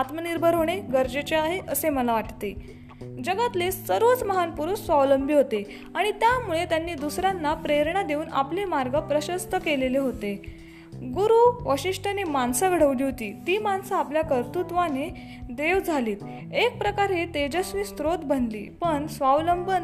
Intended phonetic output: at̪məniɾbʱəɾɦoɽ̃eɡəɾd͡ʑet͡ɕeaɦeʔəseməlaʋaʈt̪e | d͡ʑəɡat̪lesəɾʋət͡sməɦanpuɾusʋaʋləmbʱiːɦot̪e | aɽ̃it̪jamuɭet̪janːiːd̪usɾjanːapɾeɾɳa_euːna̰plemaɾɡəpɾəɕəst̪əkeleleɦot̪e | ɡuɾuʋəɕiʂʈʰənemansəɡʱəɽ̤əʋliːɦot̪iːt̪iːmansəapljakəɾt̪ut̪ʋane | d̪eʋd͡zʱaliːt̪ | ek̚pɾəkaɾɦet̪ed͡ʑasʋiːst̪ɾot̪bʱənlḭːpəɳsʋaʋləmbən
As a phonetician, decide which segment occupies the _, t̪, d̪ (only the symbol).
d̪